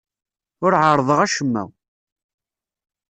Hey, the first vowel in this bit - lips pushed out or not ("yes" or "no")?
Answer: yes